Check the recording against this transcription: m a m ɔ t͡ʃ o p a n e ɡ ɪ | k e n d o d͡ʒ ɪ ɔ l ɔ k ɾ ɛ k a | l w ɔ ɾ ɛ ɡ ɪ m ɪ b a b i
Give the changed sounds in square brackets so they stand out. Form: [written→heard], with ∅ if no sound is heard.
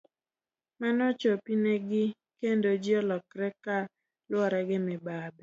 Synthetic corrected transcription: m a [m→n] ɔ t͡ʃ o p [a→i] n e ɡ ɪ | k e n d o d͡ʒ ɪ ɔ l ɔ k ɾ ɛ k a | l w ɔ ɾ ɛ ɡ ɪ m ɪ b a b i